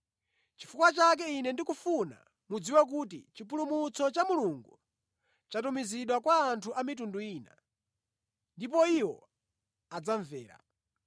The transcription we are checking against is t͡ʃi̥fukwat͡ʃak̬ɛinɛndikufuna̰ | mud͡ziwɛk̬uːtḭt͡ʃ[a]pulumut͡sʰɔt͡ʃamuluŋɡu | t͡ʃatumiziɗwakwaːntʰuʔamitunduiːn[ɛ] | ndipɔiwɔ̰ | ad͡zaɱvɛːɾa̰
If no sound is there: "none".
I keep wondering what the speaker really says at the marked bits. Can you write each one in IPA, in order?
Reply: i, a

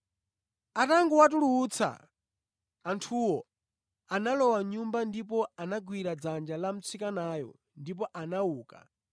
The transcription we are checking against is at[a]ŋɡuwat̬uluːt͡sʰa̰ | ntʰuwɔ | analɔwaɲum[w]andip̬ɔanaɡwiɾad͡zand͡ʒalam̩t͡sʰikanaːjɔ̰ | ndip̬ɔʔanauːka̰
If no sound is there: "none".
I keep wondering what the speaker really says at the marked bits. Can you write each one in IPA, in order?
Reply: a, b

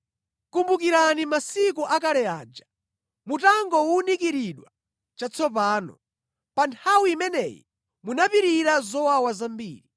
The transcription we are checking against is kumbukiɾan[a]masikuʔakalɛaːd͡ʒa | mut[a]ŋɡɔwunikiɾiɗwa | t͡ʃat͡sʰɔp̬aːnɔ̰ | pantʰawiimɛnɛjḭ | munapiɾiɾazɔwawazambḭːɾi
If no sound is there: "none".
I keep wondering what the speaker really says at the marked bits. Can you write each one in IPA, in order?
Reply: i, a

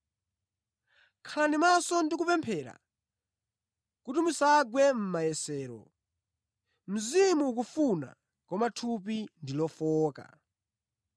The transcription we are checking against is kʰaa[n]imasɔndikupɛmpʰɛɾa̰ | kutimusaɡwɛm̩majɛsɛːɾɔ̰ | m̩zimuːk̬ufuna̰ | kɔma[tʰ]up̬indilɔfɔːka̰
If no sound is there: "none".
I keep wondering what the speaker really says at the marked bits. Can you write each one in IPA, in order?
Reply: n, tʰ

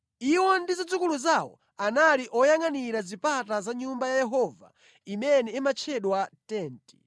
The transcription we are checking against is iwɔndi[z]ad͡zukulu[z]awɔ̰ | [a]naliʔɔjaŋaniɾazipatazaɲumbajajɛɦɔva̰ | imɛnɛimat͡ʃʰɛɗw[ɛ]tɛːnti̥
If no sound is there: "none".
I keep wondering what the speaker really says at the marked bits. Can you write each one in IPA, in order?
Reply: z, z, a, a

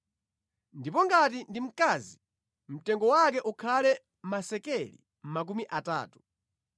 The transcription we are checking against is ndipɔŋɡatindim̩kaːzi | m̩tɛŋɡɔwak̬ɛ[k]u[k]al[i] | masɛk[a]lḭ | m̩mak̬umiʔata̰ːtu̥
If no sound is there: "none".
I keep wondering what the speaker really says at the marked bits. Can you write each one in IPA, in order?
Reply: ʔ, kʰ, ɛ, ɛ

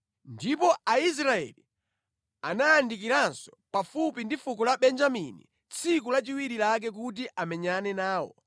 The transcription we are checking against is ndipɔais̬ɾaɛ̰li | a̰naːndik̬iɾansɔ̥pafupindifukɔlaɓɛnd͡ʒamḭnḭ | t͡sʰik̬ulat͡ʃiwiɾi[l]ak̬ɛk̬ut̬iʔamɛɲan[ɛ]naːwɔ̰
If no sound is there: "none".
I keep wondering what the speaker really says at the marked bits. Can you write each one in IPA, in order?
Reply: l, ɛ

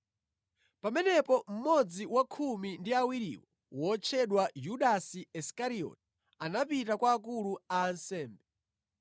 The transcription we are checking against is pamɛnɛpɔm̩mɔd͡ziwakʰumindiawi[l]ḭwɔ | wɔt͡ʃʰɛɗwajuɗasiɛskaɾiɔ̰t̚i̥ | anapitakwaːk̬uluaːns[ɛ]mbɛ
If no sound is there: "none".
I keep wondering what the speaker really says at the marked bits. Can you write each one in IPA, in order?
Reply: ɾ, ɛː

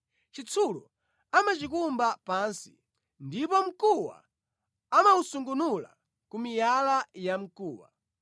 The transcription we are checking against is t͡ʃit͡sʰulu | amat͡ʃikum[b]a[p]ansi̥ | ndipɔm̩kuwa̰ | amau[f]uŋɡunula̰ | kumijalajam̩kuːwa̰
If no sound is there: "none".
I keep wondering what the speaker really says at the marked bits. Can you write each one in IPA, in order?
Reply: b, p, s

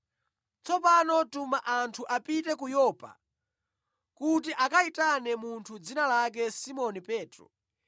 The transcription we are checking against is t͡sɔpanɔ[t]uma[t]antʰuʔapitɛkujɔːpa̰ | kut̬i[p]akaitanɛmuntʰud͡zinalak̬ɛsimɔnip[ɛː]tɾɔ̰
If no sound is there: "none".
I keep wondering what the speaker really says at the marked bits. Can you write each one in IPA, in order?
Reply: t, ʔ, ʔ, ɛː

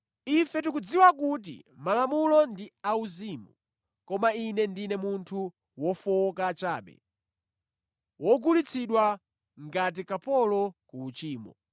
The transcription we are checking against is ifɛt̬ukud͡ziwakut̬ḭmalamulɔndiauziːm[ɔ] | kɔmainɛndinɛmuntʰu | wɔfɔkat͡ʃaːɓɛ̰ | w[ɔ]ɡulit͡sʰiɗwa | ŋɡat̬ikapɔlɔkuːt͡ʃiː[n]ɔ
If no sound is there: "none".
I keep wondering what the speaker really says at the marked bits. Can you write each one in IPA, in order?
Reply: u, ɔ, m

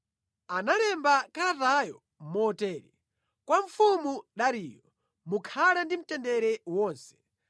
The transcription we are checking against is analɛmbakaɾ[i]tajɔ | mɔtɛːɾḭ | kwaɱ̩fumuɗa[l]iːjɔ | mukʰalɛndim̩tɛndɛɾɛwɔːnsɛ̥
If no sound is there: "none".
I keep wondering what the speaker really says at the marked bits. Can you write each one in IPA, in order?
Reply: a, ɾ

